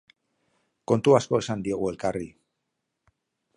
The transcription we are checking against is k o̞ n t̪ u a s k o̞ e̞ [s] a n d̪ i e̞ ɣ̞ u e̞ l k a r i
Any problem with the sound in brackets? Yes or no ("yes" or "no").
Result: no